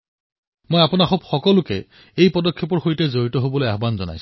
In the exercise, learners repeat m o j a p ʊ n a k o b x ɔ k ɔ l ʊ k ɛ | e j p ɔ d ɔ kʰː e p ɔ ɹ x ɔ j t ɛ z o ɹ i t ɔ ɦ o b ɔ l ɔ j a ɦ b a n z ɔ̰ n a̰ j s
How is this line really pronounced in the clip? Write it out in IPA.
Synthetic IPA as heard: m o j a p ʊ n a x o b x ɔ k ɔ l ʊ k ɛ | e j p ɔ d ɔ kʰː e p ɔ ɹ x o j t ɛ z o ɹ i t ɔ ɦ o b ɔ l o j a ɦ b a n z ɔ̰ n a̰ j s